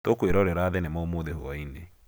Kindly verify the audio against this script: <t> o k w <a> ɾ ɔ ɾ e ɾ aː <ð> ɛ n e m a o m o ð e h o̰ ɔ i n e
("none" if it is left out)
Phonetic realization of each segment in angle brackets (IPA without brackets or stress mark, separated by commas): t, e, ð